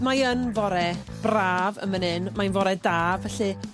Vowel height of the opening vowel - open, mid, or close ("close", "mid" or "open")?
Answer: open